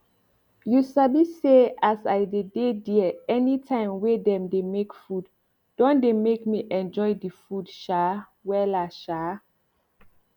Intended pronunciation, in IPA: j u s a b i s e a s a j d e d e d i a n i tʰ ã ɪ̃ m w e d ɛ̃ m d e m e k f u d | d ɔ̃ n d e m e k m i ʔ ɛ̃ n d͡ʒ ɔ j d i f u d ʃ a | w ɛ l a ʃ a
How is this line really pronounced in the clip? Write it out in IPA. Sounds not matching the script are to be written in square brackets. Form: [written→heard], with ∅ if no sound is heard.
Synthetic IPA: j u s a b i s e a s a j d e d e d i [a→ɛ] n i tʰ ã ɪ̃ m w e d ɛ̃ m d e m e k f u d | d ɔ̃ n d e m e k m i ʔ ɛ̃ n d͡ʒ ɔ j d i f u d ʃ a | w ɛ l a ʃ a